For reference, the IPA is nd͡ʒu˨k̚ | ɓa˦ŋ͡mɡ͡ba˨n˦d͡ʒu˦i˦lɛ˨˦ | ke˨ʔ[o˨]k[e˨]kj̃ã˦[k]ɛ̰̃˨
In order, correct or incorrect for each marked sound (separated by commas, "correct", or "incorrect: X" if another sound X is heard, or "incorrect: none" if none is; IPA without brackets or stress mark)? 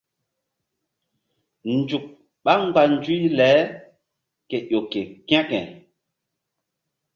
correct, correct, correct